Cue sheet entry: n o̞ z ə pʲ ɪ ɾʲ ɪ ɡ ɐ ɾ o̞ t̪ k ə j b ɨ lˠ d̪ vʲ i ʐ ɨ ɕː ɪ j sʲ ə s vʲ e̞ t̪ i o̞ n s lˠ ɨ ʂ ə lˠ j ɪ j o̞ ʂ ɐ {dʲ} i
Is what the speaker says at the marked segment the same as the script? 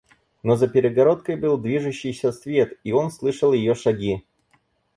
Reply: no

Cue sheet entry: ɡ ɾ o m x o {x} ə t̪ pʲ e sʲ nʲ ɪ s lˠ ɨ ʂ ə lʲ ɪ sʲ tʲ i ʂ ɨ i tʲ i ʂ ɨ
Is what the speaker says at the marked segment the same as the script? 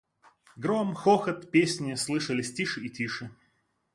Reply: yes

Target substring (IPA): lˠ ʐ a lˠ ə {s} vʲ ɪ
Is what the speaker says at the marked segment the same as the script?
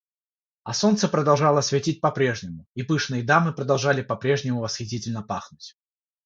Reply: yes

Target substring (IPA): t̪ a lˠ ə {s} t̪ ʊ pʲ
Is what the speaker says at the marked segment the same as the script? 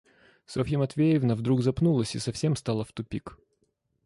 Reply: no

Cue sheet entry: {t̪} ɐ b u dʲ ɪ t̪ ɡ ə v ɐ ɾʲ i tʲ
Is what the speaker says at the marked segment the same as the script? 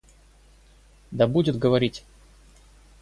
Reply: no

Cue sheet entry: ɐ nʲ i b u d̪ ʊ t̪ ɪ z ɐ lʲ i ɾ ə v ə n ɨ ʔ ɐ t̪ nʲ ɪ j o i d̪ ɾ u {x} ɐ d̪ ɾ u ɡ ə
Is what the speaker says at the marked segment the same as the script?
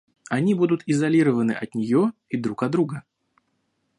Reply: no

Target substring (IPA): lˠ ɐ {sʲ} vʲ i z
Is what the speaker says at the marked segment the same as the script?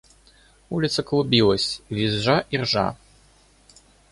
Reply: yes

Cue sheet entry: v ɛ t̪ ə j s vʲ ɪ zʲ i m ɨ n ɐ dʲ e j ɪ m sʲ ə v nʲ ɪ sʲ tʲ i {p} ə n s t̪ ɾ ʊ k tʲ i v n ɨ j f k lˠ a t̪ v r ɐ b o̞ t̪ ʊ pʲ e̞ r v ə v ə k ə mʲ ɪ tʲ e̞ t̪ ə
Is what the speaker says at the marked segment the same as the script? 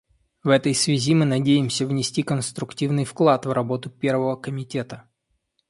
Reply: no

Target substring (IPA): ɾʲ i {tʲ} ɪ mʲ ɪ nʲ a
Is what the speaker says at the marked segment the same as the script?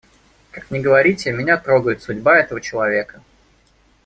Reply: yes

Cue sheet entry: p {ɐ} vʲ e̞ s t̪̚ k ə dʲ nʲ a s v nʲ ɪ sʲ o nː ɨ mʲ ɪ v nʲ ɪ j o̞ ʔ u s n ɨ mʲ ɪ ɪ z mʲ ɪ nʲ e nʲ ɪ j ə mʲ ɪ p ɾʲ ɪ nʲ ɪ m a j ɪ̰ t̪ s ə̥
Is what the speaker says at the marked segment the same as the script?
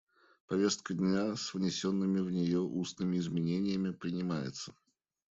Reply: yes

